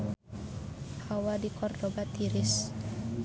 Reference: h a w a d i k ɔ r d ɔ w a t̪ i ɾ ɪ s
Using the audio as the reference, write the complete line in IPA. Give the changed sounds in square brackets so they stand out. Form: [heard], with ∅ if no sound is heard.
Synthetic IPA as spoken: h a w a d i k ɔ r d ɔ [b] a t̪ i ɾ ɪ s